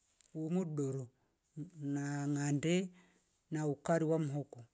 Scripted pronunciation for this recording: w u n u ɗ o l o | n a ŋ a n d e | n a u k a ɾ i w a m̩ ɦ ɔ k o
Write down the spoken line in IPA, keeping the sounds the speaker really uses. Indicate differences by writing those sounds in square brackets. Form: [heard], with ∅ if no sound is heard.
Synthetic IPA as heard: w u [m] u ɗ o [ɾ] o | n a ŋ a n d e | n a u k a ɾ i w a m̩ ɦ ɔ k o